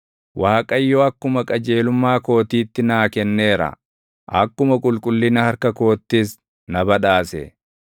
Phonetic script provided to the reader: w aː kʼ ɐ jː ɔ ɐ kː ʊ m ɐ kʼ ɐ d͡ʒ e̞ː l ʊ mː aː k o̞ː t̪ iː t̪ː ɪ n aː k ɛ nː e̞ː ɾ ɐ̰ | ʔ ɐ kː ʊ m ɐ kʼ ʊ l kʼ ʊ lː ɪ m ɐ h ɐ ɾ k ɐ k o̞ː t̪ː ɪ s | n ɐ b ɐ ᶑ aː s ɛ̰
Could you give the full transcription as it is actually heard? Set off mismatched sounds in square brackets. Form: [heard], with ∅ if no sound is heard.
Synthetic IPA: w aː kʼ ɐ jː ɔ ɐ kː ʊ m ɐ kʼ ɐ d͡ʒ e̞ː l ʊ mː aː k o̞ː t̪ iː t̪ː ɪ n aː k ɛ nː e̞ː ɾ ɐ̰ | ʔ ɐ kː ʊ m ɐ kʼ ʊ l kʼ ʊ lː ɪ [n] ɐ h ɐ ɾ k ɐ k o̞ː t̪ː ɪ s | n ɐ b ɐ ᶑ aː s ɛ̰

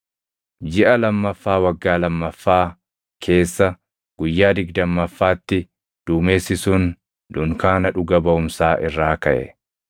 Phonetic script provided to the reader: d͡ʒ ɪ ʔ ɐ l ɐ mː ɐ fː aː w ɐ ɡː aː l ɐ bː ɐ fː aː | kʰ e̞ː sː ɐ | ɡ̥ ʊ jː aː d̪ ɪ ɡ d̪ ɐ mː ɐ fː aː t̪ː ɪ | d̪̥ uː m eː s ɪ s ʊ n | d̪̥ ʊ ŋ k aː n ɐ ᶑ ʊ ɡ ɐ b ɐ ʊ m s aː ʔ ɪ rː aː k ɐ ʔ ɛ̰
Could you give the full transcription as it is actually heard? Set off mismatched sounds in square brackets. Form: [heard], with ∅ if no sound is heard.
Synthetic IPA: d͡ʒ ɪ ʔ ɐ l ɐ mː ɐ fː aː w ɐ ɡː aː l ɐ [mː] ɐ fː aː | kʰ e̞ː sː ɐ | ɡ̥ ʊ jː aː d̪ ɪ ɡ d̪ ɐ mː ɐ fː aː t̪ː ɪ | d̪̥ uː m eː s ɪ s ʊ n | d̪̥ ʊ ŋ k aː n ɐ ᶑ ʊ ɡ ɐ b ɐ ʊ m s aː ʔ ɪ rː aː k ɐ ʔ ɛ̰

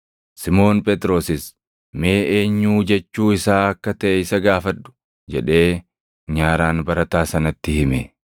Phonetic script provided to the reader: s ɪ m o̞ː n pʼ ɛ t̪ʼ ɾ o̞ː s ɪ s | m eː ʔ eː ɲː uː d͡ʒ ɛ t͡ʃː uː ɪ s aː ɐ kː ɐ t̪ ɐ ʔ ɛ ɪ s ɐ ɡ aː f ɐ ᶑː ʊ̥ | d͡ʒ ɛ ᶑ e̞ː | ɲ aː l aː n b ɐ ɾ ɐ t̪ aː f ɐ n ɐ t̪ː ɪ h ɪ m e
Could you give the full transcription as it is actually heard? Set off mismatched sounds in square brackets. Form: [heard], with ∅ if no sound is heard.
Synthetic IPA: s ɪ m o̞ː n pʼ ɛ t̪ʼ ɾ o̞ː s ɪ s | m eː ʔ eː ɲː uː d͡ʒ ɛ t͡ʃː uː ɪ s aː ɐ kː ɐ t̪ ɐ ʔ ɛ ɪ s ɐ ɡ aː f ɐ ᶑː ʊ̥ | d͡ʒ ɛ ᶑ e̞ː | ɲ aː [ɾ] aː n b ɐ ɾ ɐ t̪ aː [s] ɐ n ɐ t̪ː ɪ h ɪ m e

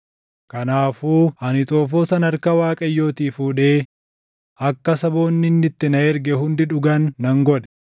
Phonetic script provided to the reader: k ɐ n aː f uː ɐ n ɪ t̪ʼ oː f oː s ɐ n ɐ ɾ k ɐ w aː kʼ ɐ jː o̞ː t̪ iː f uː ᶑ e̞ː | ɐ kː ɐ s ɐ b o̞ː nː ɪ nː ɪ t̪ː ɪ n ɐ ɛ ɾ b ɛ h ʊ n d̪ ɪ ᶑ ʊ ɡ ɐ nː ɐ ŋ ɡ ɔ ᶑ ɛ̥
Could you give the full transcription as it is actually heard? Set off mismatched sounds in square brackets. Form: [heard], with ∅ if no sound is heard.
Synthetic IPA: k ɐ n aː f uː ɐ n ɪ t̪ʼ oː f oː s ɐ n ɐ ɾ k ɐ w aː kʼ ɐ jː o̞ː t̪ iː f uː ᶑ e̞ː | ɐ kː ɐ s ɐ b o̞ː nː ɪ nː ɪ t̪ː ɪ n ɐ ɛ ɾ [ɡ] ɛ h ʊ n d̪ ɪ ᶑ ʊ ɡ ɐ nː ɐ ŋ ɡ ɔ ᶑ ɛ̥

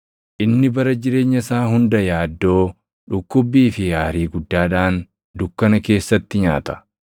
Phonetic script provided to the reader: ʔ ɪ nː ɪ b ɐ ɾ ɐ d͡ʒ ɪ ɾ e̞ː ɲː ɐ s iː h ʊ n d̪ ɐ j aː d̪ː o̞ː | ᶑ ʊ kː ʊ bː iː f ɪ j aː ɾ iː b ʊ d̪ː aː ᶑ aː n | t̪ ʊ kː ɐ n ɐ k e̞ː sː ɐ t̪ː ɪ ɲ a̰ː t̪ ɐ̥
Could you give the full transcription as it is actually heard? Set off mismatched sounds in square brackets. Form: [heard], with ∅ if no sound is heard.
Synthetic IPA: ʔ ɪ nː ɪ b ɐ ɾ ɐ d͡ʒ ɪ ɾ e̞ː ɲː ɐ s [aː] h ʊ n d̪ ɐ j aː d̪ː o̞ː | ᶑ ʊ kː ʊ bː iː f ɪ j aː ɾ iː [ɡ] ʊ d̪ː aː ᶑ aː n | [d̪] ʊ kː ɐ n ɐ k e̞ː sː ɐ t̪ː ɪ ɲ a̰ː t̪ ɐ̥

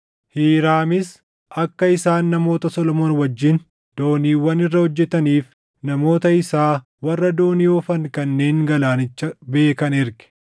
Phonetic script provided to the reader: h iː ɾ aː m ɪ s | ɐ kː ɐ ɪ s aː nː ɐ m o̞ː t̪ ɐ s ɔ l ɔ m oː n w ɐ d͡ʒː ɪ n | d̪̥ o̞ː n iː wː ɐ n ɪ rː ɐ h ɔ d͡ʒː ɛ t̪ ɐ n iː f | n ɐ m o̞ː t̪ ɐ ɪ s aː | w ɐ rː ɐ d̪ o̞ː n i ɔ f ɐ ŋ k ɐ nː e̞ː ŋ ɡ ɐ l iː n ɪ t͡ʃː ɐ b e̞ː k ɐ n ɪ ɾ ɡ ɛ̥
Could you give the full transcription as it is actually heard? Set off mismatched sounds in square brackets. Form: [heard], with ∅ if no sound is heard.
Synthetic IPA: h iː ɾ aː m ɪ s | ɐ kː ɐ ɪ s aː nː ɐ m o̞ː t̪ ɐ s ɔ l ɔ m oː n w ɐ d͡ʒː ɪ n | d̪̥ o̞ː n iː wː ɐ n ɪ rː ɐ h ɔ d͡ʒː ɛ t̪ ɐ n iː f | n ɐ m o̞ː t̪ ɐ ɪ s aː | w ɐ rː ɐ d̪ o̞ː n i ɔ f ɐ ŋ k ɐ nː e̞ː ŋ ɡ ɐ l [aː] n ɪ t͡ʃː ɐ b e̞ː k ɐ n ɪ ɾ ɡ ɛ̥

